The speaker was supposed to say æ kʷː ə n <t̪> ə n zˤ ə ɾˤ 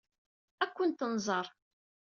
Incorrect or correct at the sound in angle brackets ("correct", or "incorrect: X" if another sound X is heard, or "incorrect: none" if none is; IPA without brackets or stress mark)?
correct